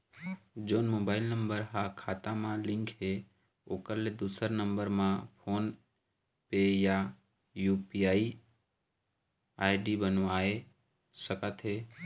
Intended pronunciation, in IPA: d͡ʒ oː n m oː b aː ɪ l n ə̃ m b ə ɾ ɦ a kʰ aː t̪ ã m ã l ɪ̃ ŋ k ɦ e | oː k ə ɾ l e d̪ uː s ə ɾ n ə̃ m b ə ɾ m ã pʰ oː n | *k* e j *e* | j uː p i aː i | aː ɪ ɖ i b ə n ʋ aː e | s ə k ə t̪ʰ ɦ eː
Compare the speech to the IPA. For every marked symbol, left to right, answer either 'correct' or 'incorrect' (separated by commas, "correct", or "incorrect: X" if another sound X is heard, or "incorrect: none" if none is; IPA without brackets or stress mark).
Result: incorrect: p, incorrect: a